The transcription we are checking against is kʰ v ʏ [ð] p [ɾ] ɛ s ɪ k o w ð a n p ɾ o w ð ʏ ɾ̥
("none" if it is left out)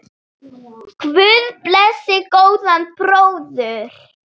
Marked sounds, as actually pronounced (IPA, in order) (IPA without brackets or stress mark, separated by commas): ð, l